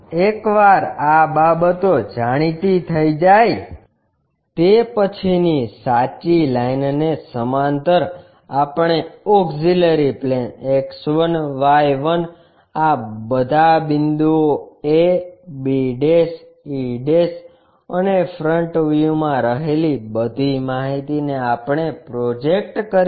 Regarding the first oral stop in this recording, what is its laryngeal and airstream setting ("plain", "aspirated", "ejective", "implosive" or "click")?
plain